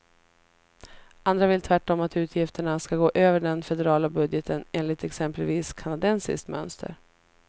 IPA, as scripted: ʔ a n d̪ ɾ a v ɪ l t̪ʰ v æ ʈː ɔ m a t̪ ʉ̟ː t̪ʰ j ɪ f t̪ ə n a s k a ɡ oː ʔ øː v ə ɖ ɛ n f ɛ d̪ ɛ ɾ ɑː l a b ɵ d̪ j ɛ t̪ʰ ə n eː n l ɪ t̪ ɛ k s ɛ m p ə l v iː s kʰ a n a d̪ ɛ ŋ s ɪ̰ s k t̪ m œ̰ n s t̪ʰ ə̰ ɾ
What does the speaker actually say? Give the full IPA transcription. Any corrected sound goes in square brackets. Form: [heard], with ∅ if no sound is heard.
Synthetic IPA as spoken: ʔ a n d̪ ɾ a v ɪ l t̪ʰ v æ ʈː ɔ m a t̪ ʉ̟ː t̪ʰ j ɪ f t̪ ə [ɳ] a s k a ɡ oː ʔ øː v ə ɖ ɛ n f ɛ d̪ ɛ ɾ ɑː l a b ɵ d̪ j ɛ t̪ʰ ə n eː n l ɪ t̪ ɛ k s ɛ m p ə l v iː s kʰ a n a d̪ ɛ [n] s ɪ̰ s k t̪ m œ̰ n s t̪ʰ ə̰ ɾ